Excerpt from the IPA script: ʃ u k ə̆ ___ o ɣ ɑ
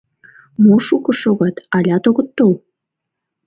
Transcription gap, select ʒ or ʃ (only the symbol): ʃ